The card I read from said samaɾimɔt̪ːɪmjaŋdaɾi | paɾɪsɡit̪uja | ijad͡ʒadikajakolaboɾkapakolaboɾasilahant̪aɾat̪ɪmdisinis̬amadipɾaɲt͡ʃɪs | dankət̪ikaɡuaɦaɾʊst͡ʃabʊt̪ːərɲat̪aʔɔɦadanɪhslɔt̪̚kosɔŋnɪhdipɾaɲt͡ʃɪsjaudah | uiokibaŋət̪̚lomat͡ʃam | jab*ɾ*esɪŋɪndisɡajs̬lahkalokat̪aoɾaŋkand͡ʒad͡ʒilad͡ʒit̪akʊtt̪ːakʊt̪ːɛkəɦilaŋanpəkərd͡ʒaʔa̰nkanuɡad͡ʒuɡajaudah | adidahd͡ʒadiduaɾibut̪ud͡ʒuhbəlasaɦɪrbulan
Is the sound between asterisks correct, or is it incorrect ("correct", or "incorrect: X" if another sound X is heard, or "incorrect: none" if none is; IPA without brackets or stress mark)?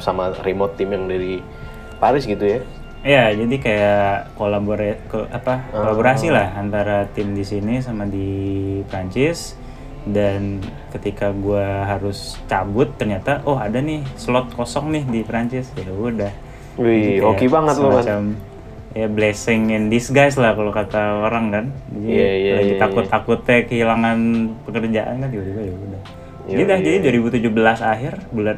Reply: incorrect: l